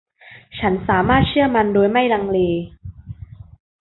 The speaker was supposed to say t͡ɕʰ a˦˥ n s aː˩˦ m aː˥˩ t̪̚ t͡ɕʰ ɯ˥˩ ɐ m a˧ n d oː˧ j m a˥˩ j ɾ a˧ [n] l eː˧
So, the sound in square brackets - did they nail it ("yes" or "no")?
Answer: no